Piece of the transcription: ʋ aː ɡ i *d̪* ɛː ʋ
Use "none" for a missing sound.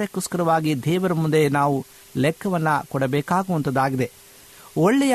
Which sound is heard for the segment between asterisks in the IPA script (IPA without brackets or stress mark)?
d̪